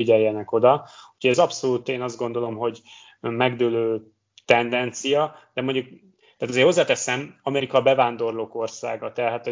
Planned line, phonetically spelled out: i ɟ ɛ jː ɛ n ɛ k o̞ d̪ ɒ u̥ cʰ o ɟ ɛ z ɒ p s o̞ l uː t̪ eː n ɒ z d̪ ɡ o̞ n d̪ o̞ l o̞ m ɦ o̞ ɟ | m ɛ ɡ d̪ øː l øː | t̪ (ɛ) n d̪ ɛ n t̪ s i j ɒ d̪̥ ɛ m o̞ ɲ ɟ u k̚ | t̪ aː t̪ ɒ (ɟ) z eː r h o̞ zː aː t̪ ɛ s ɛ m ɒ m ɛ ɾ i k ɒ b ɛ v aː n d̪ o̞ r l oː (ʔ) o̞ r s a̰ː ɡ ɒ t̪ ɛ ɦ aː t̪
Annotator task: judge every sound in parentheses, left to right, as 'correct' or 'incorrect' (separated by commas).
correct, incorrect, incorrect